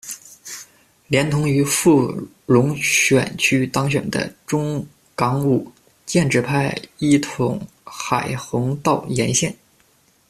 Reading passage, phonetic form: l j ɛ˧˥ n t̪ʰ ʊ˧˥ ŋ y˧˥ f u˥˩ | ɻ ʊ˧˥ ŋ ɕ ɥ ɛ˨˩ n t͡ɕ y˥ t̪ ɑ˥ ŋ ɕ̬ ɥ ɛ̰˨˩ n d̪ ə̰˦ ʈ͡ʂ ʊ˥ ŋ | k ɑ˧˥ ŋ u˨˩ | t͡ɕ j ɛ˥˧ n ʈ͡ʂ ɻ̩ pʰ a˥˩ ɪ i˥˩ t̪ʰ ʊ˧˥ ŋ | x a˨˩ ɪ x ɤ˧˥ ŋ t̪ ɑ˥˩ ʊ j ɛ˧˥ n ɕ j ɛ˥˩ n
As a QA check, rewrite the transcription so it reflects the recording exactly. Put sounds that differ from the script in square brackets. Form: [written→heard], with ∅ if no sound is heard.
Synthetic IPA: l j ɛ˧˥ n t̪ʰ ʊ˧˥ ŋ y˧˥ f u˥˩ | ɻ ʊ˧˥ ŋ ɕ ɥ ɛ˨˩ n [t͡ɕ→t͡ɕʰ] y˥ t̪ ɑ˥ ŋ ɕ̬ ɥ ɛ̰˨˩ n d̪ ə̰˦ ʈ͡ʂ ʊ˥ ŋ | k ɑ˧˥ ŋ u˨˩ | t͡ɕ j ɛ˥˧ n ʈ͡ʂ ɻ̩ pʰ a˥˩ ɪ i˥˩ t̪ʰ ʊ˧˥ ŋ | x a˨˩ ɪ x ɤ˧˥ ŋ t̪ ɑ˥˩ ʊ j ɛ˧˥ n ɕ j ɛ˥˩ n